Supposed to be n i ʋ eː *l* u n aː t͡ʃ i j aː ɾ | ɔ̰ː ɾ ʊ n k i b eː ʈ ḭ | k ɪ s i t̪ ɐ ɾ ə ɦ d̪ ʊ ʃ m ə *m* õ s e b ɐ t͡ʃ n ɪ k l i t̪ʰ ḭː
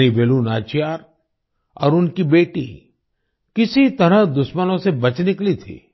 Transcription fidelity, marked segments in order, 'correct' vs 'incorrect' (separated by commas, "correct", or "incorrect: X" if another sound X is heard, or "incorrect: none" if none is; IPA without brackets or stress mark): correct, incorrect: n